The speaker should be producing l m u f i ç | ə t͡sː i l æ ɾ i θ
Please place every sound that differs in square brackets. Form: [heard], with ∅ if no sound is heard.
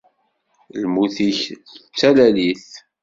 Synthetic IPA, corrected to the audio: l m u [θ] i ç | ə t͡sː [æ] l æ [l] i θ